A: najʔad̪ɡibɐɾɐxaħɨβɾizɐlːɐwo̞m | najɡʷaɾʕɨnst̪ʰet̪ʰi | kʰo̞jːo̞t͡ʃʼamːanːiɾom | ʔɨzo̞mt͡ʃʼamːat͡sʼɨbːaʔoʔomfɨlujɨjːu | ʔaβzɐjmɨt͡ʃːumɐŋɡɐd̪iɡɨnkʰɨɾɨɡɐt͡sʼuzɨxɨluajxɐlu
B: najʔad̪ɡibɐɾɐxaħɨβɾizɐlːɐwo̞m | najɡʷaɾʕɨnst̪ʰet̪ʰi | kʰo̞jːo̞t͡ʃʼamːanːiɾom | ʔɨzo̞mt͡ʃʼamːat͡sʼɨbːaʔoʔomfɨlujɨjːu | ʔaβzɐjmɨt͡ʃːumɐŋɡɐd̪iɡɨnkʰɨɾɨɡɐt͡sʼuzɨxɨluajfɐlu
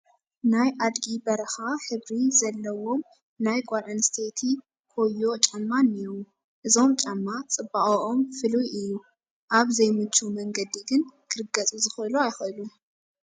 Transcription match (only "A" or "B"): A